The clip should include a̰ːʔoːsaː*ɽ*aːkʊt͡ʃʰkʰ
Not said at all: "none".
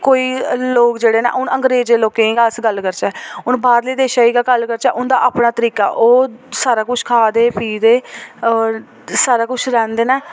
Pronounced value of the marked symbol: ɾ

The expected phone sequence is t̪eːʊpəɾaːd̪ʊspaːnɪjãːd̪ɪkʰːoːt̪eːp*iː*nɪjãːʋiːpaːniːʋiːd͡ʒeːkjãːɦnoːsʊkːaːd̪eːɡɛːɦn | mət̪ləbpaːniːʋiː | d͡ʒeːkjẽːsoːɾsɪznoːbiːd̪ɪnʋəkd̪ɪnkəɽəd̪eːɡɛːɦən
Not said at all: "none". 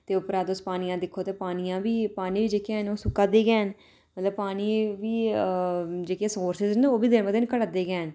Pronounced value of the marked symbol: aː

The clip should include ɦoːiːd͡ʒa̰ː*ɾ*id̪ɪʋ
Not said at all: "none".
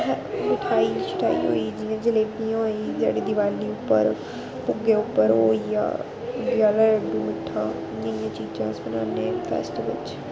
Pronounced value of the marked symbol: ɽ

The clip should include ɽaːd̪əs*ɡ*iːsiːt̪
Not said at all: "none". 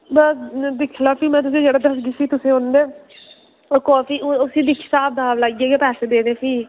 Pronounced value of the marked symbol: ɡ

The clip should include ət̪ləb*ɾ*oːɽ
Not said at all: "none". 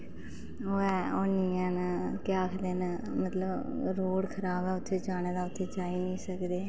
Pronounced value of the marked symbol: ɾ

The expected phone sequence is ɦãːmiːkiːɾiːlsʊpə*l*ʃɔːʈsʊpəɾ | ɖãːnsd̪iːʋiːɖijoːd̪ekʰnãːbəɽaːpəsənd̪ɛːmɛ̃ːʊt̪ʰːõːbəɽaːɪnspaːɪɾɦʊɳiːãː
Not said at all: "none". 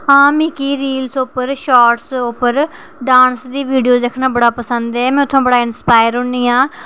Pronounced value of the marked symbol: ɾ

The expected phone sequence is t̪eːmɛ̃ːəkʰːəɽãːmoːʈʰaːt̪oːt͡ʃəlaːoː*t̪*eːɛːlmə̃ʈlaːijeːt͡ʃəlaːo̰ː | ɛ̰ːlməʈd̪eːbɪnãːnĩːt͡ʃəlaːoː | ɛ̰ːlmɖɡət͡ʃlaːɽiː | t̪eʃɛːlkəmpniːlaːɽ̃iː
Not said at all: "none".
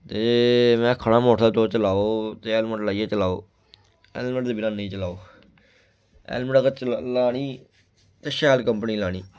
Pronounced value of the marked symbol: t̪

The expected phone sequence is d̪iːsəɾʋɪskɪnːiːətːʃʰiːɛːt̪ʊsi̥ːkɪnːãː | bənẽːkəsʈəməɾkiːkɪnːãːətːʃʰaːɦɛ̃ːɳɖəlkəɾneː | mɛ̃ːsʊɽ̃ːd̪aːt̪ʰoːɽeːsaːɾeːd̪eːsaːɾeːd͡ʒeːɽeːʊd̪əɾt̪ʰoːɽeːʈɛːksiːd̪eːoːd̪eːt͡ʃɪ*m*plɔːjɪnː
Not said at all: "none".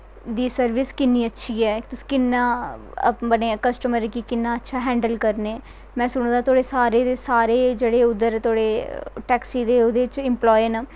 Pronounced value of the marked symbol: m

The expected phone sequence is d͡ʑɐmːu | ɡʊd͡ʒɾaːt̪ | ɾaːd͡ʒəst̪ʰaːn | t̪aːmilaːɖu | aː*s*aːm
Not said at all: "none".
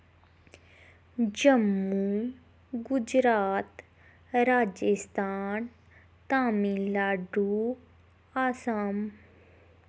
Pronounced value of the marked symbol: s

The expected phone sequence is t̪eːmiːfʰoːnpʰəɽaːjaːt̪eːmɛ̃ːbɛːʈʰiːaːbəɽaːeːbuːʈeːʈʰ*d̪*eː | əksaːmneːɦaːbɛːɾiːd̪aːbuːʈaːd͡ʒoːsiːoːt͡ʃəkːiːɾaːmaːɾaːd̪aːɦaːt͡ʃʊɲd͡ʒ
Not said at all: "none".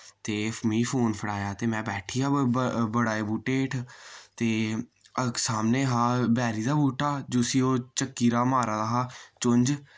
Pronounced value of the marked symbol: t̪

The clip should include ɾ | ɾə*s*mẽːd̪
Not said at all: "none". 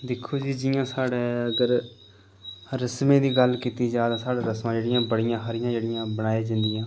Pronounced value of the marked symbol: s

